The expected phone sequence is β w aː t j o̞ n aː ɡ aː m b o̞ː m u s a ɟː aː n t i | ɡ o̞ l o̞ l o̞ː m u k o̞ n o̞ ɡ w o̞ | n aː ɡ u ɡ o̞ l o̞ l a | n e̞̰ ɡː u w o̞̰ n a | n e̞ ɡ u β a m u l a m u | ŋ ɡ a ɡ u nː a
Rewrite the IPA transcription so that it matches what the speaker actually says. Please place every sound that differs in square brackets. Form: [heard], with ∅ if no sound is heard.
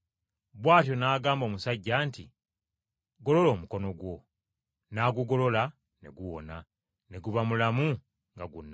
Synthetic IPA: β w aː t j o̞ n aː ɡ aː m b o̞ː m u s a ɟː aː n t i | ɡ o̞ l o̞ l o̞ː m u k o̞ n o̞ ɡ w o̞ | n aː ɡ u ɡ o̞ l o̞ l a | n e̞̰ [ɡ] u w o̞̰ n a | n e̞ ɡ u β a m u l a m u | ŋ ɡ a ɡ u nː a